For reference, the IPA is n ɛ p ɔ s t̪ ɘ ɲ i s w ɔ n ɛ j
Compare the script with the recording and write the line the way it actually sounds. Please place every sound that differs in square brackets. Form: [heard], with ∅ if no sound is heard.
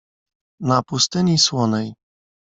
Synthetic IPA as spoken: n [a] p [u] s t̪ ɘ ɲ i s w ɔ n ɛ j

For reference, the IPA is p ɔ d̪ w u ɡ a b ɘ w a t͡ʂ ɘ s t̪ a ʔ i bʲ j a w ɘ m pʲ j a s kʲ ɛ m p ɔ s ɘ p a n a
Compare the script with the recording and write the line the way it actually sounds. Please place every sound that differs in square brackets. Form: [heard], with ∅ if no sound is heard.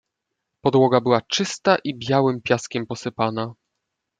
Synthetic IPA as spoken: p ɔ d̪ w [ɔ] ɡ a b ɘ w a t͡ʂ ɘ s t̪ a ʔ i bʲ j a w ɘ m pʲ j a s kʲ ɛ m p ɔ s ɘ p a n a

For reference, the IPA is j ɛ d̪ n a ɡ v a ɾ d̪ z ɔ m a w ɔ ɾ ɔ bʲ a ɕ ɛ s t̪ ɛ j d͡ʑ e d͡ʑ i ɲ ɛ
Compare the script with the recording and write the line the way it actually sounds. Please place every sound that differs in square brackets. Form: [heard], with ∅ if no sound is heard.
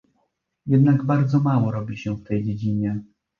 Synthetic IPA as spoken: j ɛ d̪ n a ɡ [b] a ɾ d̪ z ɔ m a w ɔ ɾ ɔ bʲ [i] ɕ ɛ [f] t̪ ɛ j d͡ʑ e d͡ʑ i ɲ ɛ

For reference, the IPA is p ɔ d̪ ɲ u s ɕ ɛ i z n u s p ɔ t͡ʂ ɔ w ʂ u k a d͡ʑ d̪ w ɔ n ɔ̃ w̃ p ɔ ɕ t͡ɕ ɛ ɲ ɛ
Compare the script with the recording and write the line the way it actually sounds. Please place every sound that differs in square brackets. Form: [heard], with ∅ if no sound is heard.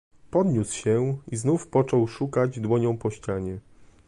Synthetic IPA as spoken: p ɔ d̪ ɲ u s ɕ ɛ i z n u [f] p ɔ t͡ʂ ɔ w ʂ u k a d͡ʑ d̪ w ɔ [ɲ] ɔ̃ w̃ p ɔ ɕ t͡ɕ [a] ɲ ɛ

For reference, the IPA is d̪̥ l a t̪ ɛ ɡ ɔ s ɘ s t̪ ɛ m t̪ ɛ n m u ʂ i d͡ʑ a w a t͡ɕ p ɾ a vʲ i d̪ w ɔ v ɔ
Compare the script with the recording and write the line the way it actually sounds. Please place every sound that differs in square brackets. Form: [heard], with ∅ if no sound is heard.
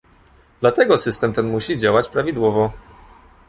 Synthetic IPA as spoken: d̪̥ l a t̪ ɛ ɡ ɔ s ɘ s t̪ ɛ m t̪ ɛ n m u [ɕ] i d͡ʑ a w a t͡ɕ p ɾ a vʲ i d̪ w ɔ v ɔ

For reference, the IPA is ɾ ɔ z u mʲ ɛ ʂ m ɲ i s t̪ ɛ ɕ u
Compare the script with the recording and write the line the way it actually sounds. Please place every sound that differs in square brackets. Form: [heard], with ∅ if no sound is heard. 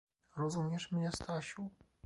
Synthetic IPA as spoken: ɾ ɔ z u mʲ ɛ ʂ m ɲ [ɛ] s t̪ [a] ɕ u

